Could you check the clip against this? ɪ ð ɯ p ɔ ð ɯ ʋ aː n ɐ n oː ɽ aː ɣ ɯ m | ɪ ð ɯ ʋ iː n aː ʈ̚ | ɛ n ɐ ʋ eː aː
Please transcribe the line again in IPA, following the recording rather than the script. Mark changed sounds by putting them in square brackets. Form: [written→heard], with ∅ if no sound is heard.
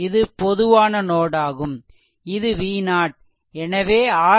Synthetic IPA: ɪ ð ɯ p ɔ ð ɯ ʋ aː n ɐ n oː ɽ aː ɣ ɯ m | ɪ ð ɯ ʋ iː n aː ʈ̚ | ɛ n ɐ ʋ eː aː